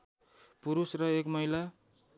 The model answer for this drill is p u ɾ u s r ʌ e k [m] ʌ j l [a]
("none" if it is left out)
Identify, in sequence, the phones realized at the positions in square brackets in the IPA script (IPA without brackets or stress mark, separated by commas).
m, a